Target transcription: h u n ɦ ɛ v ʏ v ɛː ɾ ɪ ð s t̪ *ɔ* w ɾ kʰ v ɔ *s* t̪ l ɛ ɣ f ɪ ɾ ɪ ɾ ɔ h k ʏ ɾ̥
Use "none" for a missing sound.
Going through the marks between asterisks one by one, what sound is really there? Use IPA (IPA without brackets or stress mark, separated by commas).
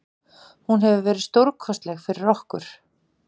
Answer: o, s